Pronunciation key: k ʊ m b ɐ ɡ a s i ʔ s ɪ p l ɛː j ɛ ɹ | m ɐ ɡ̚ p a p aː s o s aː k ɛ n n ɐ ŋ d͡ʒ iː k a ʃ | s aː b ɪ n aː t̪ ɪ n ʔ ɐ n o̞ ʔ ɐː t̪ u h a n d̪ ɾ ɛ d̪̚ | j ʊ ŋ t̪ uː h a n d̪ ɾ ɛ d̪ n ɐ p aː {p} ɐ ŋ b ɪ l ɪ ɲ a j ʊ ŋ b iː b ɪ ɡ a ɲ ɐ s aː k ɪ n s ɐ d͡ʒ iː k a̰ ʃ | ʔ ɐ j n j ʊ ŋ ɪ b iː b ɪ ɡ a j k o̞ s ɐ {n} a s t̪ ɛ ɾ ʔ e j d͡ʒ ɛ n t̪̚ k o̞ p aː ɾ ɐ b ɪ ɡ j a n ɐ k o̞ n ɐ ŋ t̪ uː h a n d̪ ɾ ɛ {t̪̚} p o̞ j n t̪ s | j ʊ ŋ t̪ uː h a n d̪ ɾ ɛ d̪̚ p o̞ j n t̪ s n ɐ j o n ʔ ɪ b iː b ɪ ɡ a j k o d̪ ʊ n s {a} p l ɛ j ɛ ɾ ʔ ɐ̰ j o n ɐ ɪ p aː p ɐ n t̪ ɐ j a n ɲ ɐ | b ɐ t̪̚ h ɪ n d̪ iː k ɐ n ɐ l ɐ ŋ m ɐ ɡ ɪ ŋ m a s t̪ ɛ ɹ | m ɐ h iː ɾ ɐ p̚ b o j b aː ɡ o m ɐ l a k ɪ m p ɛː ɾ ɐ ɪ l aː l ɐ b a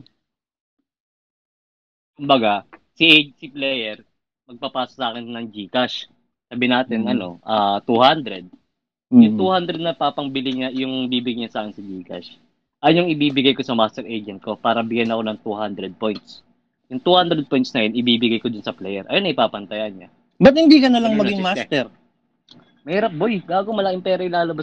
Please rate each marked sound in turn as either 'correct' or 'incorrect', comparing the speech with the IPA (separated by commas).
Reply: correct, incorrect, incorrect, incorrect